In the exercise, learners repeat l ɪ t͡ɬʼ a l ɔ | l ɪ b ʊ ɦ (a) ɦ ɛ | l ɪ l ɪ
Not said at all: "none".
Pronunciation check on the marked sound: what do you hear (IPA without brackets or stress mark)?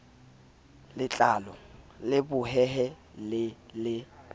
ɛ